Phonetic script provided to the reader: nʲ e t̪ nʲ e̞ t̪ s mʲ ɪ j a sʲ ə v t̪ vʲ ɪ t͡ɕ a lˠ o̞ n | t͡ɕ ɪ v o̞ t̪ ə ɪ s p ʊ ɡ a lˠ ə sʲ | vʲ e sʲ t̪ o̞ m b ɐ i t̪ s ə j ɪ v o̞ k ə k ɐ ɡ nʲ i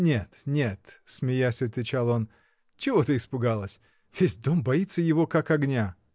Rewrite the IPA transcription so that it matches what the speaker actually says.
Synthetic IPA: nʲ e t̪ nʲ e̞ t̪ s mʲ ɪ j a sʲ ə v t̪ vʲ ɪ t͡ɕ a lˠ o̞ n | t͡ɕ ɪ v o̞ t̪ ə ɪ s p ʊ ɡ a lˠ ə sʲ | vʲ e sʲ d̪ o̞ m b ɐ i t̪ s ə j ɪ v o̞ k a k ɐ ɡ nʲ a